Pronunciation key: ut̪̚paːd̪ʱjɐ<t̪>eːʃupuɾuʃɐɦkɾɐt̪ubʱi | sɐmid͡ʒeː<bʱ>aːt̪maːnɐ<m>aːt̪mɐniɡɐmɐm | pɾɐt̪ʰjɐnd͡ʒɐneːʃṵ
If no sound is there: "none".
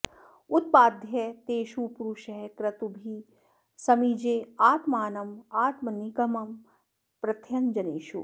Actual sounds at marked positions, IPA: t̪, none, m

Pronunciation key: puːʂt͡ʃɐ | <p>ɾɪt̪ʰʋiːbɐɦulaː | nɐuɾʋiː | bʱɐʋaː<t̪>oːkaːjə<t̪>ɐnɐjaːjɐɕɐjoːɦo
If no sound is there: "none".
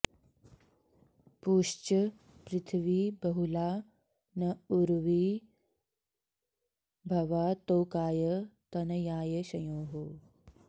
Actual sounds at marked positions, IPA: p, t̪, t̪

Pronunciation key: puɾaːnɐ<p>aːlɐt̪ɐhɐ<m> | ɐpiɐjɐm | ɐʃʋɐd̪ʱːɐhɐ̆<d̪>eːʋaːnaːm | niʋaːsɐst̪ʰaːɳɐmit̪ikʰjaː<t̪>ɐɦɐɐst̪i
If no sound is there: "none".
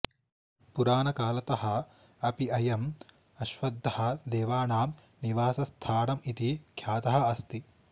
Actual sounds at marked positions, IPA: k, none, d̪, t̪

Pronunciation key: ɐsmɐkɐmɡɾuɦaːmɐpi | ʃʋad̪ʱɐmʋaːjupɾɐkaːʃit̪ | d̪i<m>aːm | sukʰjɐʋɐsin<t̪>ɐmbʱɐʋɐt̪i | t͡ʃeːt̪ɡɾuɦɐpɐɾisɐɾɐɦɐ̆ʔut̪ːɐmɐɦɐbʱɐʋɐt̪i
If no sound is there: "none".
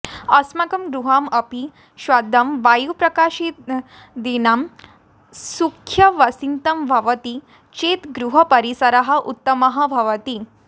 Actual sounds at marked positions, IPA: n, t̪

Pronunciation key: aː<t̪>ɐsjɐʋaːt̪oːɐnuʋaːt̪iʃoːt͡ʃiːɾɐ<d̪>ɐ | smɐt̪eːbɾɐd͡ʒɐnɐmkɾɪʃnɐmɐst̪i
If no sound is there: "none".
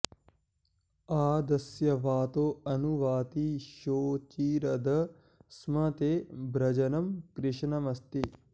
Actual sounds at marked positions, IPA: d̪, d̪

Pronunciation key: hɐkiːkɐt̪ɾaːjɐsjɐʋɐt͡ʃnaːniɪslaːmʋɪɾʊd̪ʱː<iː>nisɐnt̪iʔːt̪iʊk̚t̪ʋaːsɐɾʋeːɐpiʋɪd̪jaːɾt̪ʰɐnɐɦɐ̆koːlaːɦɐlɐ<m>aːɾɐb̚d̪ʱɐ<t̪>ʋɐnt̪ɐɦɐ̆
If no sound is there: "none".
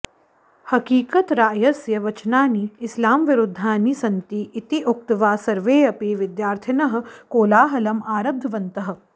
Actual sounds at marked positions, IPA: aː, m, none

